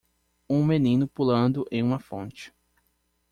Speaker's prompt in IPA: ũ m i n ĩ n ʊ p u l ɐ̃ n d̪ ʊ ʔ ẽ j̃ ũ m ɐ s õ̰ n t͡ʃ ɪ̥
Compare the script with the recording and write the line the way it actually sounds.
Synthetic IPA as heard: ũ m e n ĩ n ʊ p u l ɐ̃ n d̪ ʊ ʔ ẽ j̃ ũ m ɐ f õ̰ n t͡ʃ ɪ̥